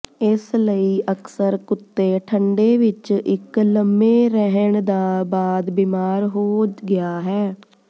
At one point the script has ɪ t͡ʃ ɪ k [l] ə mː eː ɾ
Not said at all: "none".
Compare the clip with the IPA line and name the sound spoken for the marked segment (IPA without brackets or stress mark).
l